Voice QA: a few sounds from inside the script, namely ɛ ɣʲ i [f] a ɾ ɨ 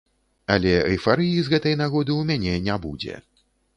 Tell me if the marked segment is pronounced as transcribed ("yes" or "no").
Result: yes